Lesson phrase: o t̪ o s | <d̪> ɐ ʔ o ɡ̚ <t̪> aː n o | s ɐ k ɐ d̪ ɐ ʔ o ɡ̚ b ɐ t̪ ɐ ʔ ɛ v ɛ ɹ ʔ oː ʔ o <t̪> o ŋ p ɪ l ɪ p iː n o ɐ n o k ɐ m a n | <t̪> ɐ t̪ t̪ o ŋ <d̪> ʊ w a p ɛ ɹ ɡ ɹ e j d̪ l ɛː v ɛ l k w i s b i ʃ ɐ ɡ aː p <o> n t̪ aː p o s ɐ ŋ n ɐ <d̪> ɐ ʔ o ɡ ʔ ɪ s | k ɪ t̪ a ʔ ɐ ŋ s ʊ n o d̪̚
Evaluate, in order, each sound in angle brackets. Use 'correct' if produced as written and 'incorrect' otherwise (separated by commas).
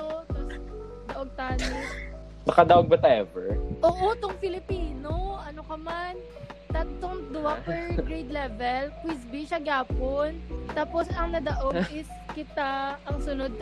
correct, correct, correct, correct, correct, correct, correct